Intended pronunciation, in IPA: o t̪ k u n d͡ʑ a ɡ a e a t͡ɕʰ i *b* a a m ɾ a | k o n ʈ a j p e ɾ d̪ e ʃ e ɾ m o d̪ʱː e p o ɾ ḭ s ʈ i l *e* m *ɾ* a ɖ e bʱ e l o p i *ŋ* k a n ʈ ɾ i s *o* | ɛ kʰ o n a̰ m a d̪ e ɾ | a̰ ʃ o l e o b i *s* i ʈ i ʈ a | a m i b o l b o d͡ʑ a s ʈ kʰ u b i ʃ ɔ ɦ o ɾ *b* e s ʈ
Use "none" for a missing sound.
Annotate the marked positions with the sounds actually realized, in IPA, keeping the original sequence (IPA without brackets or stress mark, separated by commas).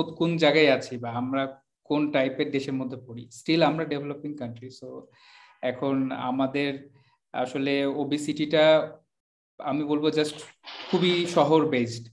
b, a, ɾ, ŋ, o, s, b